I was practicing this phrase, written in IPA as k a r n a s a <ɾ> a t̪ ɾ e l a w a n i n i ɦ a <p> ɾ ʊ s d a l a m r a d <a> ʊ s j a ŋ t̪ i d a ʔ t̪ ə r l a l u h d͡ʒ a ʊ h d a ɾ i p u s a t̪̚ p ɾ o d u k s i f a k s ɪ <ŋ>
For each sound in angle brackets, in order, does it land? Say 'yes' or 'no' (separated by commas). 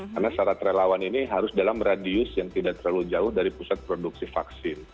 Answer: yes, no, no, no